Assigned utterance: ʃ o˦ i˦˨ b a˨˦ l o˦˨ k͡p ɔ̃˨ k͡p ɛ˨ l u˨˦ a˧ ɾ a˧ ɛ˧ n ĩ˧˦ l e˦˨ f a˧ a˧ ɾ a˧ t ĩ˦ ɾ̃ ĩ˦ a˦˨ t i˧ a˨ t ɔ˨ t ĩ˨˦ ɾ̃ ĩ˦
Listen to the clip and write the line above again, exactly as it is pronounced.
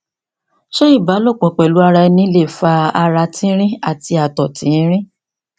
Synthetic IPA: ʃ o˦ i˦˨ b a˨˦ l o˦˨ k͡p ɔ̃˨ k͡p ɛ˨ l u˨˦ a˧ ɾ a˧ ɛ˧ n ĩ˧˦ l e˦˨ f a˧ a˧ ɾ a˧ t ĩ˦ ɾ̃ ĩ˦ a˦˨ t i˧ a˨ t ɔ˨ t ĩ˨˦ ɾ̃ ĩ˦

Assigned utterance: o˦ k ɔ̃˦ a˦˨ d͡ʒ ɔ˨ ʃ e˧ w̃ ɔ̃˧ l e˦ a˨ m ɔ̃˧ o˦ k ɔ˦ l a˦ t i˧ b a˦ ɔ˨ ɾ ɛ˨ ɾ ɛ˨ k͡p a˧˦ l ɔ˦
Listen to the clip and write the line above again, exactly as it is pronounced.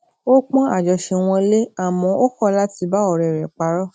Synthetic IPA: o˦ k͡p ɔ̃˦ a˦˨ d͡ʒ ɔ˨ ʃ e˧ w̃ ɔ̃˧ l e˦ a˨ m ɔ̃˧ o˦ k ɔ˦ l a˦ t i˧ b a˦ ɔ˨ ɾ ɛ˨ ɾ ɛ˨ k͡p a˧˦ ɾ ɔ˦

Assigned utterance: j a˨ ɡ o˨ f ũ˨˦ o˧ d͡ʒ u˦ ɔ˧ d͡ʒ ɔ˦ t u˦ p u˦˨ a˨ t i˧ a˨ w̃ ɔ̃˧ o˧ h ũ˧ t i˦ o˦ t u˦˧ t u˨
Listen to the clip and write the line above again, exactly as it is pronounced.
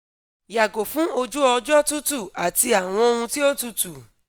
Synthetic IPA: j a˨ ɡ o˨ f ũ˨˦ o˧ d͡ʒ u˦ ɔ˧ d͡ʒ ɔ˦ t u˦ t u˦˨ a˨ t i˧ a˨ w̃ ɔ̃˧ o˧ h ũ˧ t i˦ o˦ t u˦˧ t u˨

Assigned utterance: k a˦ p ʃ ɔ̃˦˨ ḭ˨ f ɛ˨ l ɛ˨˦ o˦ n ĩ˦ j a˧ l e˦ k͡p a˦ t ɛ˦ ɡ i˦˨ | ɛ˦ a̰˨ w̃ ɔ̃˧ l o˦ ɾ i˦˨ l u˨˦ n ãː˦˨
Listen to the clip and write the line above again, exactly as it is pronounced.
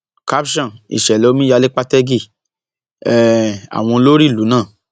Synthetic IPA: k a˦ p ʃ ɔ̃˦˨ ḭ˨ ʃ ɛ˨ l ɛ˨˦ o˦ m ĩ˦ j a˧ l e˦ k͡p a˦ t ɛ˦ ɡ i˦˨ | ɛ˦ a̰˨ w̃ ɔ̃˧ l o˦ ɾ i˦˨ l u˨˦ n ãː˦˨

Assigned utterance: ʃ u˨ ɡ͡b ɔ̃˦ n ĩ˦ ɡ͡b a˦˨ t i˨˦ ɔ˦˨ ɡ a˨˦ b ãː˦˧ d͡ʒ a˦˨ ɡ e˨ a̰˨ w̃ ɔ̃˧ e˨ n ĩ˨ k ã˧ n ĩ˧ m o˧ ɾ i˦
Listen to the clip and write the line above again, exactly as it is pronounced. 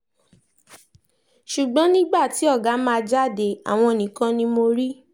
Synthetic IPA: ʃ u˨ ɡ͡b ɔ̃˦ n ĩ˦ ɡ͡b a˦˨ t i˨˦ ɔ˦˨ ɡ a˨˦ m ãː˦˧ d͡ʒ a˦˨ d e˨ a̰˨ w̃ ɔ̃˧ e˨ n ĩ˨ k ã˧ n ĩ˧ m o˧ ɾ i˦

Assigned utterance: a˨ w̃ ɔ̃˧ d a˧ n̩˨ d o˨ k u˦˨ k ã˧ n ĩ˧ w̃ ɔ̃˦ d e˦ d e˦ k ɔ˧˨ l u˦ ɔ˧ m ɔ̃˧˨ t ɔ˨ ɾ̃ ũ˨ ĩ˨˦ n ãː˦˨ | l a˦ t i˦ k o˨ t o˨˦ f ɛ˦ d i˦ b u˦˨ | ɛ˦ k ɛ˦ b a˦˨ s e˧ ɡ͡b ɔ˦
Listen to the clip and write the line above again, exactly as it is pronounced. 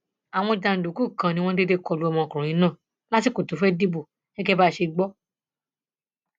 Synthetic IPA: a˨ w̃ ɔ̃˧ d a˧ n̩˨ d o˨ k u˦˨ k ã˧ n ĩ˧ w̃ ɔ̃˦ d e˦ d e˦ k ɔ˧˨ l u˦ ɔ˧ m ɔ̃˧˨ k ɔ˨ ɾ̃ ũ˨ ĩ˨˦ n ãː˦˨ | l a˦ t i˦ k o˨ t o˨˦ f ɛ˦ d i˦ b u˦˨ | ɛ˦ k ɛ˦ b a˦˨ ʃ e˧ ɡ͡b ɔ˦

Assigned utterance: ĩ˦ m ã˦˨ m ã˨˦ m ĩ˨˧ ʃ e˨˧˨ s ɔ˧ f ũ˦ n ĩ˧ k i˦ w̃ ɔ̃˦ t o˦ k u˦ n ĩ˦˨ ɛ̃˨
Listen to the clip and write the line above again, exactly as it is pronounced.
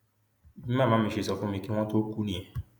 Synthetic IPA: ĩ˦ m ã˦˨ m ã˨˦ m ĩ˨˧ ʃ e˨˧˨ s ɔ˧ f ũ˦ m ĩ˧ k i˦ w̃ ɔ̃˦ t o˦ k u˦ n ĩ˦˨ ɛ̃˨

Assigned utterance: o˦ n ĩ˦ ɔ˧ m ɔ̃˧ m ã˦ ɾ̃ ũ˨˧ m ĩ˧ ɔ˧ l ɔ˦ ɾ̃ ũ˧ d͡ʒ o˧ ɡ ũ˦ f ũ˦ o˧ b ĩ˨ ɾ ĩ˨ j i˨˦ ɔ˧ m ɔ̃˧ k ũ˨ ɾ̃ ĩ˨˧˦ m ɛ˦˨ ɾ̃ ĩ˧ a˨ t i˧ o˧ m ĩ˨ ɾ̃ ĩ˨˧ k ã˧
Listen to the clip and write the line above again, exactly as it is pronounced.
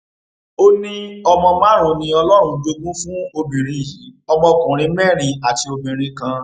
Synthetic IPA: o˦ n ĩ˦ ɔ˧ m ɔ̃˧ m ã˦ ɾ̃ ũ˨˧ n ĩ˧ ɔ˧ l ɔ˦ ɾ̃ ũ˧ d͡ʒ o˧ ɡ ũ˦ f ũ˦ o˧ b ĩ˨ ɾ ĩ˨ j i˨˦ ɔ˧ m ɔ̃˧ k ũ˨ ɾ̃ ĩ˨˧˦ m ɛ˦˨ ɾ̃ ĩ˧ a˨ t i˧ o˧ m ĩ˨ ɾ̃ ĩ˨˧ k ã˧

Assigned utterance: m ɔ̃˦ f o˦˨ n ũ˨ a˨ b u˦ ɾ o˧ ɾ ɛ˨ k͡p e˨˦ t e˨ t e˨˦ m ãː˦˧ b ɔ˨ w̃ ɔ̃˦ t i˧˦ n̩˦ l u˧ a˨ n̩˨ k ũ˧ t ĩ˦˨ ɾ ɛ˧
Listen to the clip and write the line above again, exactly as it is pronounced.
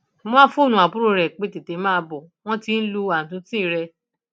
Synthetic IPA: m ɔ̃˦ f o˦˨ n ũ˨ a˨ b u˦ ɾ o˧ ɾ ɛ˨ k͡p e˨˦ t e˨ t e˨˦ m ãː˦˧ b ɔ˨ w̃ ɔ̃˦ t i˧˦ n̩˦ l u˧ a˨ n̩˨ t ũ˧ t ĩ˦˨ ɾ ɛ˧

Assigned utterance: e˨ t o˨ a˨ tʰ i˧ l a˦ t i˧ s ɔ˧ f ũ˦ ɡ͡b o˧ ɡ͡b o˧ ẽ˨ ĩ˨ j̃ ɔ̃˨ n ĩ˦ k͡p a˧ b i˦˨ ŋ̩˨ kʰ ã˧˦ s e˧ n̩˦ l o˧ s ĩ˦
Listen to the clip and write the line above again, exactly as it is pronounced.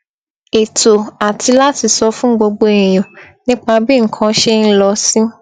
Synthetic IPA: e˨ t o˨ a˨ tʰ i˧ l a˦ t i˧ s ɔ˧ f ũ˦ ɡ͡b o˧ ɡ͡b o˧ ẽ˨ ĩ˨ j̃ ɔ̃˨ n ĩ˦ k͡p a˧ b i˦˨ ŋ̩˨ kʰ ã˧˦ ʃ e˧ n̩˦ l ɔ˧ s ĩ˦

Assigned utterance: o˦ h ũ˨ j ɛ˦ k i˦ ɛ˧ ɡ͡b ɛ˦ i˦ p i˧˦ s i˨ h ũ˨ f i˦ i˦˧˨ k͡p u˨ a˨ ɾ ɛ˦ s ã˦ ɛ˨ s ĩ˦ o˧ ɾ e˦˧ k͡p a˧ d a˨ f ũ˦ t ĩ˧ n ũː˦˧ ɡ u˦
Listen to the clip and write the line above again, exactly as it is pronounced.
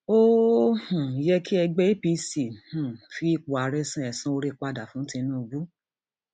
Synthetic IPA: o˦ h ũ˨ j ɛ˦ k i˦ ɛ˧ ɡ͡b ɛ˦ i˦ p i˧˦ s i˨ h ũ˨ f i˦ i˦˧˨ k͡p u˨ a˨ ɾ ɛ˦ s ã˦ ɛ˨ s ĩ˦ o˧ ɾ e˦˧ k͡p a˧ d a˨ f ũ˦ t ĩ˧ n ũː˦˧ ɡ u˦

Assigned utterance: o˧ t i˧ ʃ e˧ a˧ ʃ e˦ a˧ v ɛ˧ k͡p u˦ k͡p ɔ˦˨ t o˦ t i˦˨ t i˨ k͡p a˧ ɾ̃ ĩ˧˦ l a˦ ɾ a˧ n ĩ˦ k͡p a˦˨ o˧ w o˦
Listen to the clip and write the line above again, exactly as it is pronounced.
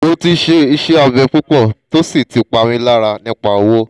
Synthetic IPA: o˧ t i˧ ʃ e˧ i˧ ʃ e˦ a˧ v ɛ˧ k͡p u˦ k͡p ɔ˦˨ t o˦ s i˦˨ t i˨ k͡p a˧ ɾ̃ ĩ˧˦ l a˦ ɾ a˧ n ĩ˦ k͡p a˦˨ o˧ w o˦

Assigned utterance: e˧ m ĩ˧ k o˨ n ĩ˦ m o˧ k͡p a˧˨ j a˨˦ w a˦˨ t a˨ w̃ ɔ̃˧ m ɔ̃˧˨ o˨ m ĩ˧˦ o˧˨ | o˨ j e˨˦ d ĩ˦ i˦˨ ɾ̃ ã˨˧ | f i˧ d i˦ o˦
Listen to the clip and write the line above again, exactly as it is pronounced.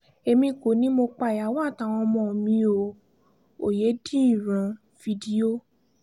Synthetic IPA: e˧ m ĩ˧ k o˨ n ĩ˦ m o˧ k͡p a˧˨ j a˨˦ w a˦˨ t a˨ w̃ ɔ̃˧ m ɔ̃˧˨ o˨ m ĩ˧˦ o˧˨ | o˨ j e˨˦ d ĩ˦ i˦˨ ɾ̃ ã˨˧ | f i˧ d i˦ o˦

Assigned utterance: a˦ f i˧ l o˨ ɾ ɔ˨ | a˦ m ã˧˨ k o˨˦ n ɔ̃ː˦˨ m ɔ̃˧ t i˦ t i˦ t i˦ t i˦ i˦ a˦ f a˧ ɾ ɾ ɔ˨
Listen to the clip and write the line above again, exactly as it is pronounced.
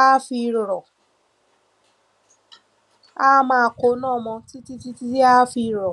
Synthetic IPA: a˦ f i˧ ɾ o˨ ɾ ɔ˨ | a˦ m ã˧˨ k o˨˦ n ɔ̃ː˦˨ m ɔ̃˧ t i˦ t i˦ t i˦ t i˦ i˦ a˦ f i˧ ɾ ɾ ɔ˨

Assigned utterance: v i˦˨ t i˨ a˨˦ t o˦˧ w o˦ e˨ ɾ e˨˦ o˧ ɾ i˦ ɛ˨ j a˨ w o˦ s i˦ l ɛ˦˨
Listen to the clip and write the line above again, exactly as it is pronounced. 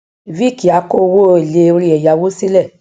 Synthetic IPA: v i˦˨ k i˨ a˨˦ k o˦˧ w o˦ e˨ l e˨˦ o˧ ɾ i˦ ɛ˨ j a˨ w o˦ s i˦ l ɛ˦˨

